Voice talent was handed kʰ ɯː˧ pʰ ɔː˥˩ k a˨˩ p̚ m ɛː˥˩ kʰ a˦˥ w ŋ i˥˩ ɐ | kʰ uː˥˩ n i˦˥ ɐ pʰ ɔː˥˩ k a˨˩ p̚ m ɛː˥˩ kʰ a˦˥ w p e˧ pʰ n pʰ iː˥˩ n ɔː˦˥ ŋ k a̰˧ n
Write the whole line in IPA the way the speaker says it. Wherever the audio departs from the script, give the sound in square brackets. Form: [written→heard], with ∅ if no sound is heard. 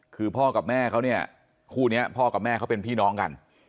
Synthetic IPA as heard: kʰ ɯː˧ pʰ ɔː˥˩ k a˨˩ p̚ m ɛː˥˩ kʰ a˦˥ w [ŋ→n] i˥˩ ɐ | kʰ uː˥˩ n i˦˥ ɐ pʰ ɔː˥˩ k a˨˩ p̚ m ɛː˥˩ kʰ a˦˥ w p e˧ [pʰ→∅] n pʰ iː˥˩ n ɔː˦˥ ŋ k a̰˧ n